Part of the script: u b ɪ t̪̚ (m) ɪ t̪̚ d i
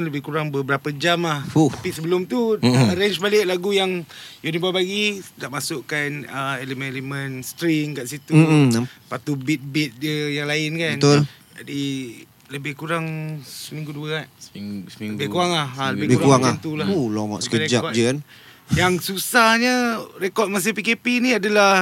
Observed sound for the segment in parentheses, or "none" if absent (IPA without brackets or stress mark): b